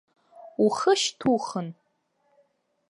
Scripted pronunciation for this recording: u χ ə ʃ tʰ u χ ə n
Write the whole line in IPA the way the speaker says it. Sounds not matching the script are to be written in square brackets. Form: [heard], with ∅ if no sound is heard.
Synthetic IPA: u χ ə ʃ tʰ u χ ə n